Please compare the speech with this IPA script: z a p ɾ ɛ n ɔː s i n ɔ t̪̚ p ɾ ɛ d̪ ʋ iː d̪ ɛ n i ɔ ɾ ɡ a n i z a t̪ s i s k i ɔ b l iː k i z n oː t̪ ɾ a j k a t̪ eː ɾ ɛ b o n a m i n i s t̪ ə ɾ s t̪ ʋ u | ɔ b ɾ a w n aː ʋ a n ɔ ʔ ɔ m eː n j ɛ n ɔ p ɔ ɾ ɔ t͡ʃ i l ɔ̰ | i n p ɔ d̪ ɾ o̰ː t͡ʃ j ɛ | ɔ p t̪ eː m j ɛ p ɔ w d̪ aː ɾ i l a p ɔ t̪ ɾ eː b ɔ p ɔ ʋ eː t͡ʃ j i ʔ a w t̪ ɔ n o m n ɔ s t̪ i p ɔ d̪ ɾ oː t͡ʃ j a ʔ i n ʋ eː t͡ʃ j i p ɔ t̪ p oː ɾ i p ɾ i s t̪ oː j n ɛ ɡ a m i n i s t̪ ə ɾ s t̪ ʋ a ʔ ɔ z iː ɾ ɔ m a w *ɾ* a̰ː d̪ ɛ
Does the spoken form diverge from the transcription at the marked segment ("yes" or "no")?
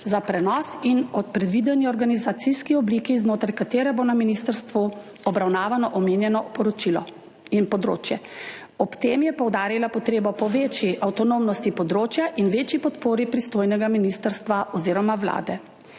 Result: yes